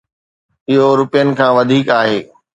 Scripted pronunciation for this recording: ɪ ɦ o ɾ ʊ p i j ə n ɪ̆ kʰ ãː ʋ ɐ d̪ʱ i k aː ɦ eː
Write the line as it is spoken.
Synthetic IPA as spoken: ɪ ɦ o ɾ ʊ p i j ə n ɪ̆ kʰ ãː ʋ ɐ d̪ʱ iː k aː ɦ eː